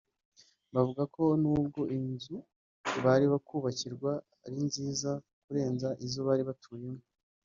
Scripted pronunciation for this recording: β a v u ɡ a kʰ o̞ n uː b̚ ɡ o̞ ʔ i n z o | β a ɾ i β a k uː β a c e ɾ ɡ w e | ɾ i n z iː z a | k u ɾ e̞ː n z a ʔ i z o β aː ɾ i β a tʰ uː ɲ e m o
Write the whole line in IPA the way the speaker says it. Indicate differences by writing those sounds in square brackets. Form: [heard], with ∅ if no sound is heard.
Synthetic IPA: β a v u ɡ a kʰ o̞ n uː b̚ ɡ o̞ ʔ i n z [u] | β a ɾ i β a k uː β a c [i] ɾ ɡ w [a] | ɾ i n z iː z a | k u ɾ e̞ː n z a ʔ i z o β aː ɾ i β a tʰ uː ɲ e m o